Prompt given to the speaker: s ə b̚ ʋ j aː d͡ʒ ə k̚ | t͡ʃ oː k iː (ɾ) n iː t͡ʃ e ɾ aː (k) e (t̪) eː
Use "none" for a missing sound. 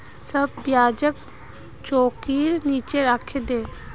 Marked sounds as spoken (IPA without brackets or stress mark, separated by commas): ɾ, kʰ, d̪